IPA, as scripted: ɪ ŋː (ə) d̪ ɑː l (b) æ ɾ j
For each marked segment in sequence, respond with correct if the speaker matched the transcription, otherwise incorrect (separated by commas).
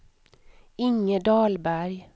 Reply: correct, correct